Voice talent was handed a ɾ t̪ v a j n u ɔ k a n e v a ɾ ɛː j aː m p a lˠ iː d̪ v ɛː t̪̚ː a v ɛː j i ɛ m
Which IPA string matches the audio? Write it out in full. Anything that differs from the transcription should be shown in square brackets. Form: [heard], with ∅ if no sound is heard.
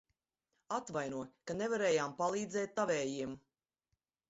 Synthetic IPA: a [∅] t̪ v a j n u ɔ k a n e v a ɾ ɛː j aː m p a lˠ iː d̪ [z] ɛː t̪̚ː a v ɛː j i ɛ m